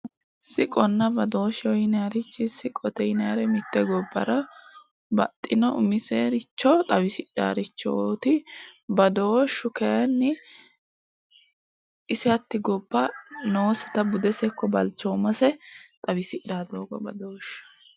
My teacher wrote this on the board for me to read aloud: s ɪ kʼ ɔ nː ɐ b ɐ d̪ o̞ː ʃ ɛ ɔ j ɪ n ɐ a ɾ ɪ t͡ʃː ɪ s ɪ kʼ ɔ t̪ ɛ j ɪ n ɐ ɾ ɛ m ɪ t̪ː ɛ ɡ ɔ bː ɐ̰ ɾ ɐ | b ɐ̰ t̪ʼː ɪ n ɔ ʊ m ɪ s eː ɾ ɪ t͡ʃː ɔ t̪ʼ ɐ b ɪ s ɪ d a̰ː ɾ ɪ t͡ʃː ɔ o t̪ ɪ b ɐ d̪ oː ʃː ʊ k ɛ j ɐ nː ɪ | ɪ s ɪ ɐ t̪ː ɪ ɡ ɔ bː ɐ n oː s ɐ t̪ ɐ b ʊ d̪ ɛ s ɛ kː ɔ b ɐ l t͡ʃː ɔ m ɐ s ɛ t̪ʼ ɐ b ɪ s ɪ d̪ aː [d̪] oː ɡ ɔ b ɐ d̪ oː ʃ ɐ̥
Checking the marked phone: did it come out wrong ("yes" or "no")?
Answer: no